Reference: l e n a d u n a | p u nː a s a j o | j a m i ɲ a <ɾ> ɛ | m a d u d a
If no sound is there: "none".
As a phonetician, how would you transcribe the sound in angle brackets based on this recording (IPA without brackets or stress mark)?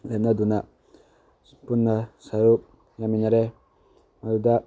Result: ɾ